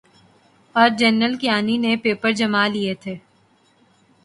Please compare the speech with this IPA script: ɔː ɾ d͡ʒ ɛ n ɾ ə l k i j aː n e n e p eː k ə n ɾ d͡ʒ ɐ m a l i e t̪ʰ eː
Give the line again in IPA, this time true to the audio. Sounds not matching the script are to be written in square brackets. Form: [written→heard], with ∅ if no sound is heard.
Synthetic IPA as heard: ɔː ɾ d͡ʒ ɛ n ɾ ə l k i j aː n [e→i] n e p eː [k→p] ə [n→∅] ɾ d͡ʒ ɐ m a l i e t̪ʰ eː